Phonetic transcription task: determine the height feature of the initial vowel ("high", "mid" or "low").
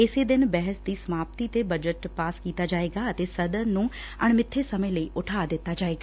high